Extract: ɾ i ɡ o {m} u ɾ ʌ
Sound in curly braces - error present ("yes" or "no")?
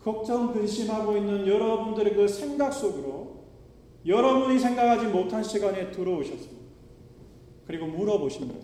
no